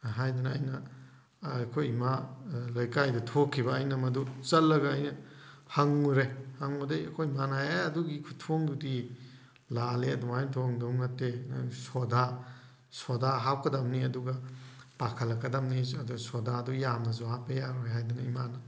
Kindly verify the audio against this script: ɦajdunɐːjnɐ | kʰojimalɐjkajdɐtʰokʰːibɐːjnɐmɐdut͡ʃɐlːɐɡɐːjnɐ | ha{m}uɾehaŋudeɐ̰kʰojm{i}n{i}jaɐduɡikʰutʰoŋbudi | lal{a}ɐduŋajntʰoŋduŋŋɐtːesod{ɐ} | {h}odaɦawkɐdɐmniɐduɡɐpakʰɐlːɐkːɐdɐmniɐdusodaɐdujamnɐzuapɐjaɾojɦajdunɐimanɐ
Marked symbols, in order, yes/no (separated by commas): no, no, no, no, no, no